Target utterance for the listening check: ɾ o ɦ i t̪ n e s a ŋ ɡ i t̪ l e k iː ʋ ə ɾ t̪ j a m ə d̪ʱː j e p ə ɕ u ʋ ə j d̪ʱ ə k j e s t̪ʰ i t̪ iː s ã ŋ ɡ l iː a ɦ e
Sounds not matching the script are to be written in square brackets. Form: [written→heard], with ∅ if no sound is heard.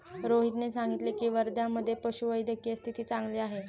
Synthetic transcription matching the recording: ɾ o ɦ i t̪ n e s a ŋ ɡ i t̪ l e k iː ʋ ə ɾ [t̪→d̪] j a m ə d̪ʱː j e p ə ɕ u ʋ ə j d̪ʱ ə k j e s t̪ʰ i t̪ iː [s→t͡s] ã ŋ ɡ l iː a ɦ e